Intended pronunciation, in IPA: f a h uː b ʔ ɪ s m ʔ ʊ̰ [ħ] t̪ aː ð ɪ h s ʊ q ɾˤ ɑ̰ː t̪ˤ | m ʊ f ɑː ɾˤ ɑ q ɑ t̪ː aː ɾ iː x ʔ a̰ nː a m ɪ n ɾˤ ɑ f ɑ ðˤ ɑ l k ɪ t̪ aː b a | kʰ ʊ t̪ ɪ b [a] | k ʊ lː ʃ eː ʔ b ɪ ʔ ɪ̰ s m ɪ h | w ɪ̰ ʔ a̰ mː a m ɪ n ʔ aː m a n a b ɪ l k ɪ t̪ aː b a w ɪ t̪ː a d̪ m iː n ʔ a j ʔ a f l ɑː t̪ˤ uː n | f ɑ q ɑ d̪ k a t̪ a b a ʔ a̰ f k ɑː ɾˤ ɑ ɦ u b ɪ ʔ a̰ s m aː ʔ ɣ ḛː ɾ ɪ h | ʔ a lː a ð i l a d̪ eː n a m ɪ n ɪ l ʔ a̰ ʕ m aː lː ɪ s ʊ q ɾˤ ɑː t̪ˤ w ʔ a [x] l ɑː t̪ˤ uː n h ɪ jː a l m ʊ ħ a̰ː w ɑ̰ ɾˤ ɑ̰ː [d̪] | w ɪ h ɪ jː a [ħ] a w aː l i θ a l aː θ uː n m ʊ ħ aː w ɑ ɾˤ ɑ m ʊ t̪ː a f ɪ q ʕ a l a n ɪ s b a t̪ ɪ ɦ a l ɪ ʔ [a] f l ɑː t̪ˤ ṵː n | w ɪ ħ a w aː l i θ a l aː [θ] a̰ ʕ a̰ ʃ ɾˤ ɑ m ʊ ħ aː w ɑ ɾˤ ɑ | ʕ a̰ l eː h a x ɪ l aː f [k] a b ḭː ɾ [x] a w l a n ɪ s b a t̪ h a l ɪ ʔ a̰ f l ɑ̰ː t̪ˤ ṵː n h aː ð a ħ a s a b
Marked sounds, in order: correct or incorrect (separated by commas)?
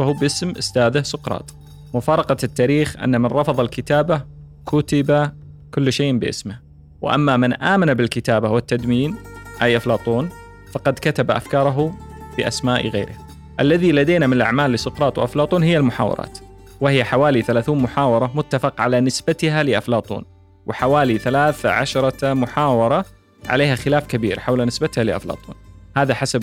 incorrect, correct, incorrect, incorrect, correct, correct, correct, correct, incorrect